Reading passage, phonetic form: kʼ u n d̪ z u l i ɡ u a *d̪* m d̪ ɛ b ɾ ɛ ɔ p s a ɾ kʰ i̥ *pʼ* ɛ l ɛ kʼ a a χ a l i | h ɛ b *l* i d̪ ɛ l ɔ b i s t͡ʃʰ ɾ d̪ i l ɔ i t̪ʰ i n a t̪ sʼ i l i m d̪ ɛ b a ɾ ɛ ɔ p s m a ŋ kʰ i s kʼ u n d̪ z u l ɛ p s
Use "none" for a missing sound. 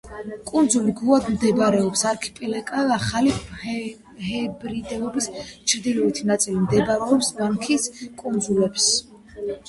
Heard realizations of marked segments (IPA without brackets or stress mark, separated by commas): d̪, pʼ, ɾ